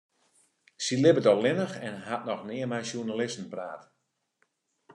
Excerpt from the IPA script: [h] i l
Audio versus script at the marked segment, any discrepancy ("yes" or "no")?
yes